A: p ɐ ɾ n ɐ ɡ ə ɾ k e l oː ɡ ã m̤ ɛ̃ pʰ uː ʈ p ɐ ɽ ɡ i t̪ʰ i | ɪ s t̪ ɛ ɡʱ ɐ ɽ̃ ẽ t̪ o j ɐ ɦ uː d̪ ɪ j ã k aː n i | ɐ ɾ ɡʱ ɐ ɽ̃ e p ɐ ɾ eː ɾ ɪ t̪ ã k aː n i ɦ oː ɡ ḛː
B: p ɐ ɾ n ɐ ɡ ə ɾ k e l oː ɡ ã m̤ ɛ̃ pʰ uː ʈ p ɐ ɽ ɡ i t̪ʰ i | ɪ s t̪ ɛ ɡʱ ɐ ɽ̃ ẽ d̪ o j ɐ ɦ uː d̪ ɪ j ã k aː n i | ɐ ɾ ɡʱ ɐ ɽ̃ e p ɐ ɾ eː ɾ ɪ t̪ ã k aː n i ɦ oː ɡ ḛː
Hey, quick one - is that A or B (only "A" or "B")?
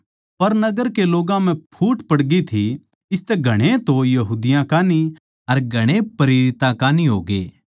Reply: A